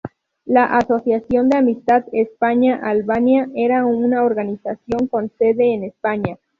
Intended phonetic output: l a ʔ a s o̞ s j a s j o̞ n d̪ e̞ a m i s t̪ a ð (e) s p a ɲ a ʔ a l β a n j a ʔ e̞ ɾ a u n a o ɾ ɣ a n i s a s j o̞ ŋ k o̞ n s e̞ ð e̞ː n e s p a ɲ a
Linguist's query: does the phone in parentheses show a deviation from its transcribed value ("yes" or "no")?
no